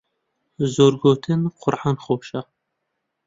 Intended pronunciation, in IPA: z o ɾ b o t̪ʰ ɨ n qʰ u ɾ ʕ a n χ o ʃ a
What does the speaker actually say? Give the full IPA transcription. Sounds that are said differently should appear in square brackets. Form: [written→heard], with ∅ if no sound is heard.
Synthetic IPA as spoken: z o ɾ [b→ɡ] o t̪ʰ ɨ n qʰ [u→ʊ] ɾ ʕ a n χ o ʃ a